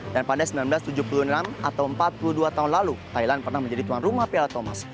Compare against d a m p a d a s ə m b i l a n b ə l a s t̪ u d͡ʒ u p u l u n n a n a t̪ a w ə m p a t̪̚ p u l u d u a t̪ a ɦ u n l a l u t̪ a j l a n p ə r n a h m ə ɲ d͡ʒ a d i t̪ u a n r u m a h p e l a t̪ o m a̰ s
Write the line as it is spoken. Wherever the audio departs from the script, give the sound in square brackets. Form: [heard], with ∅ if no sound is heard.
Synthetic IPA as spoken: d a [n] p a d a s ə m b i l a n b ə l a s t̪ u d͡ʒ u p u l u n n a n a t̪ a w ə m p a t̪̚ p u l u d u a t̪ a ɦ u n l a l u t̪ a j l a n p ə r n a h m ə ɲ d͡ʒ a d i t̪ u a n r u m a h p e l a t̪ o m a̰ s

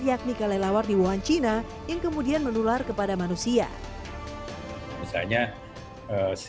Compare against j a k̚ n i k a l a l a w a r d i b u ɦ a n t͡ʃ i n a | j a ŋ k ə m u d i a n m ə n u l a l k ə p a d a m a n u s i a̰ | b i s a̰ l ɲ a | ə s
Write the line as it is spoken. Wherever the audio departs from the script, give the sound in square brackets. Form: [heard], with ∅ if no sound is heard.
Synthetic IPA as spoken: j a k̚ n i k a l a l a w a r d i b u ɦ a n t͡ʃ i n a | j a ŋ k ə m u d i a n m ə n u l a [r] k ə p a d a m a n u s i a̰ | [m] i s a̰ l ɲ a | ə s

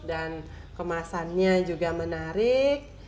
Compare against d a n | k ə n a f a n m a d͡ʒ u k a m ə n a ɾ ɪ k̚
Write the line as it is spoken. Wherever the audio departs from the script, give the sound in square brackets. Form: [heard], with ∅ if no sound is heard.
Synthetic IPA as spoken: d a n | k ə [m] a [s] a n [ɲ] a d͡ʒ u [ɡ] a m ə n a ɾ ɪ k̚

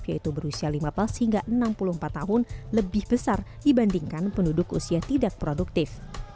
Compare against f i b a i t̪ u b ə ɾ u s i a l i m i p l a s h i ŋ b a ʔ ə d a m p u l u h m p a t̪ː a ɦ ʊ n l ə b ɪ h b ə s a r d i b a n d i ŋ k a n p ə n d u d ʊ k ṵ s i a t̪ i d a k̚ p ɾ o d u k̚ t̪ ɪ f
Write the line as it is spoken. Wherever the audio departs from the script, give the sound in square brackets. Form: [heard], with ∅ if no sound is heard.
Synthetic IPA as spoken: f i [∅] a i t̪ u b ə ɾ u s i a l i m [a] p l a s h i ŋ [ɡ] a ʔ ə [n] a m p u l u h m p a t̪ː a ɦ ʊ n l ə b ɪ h b ə s a r d i b a n d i ŋ k a n p ə n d u d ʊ k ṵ s i a t̪ i d a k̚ p ɾ o d u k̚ t̪ ɪ f

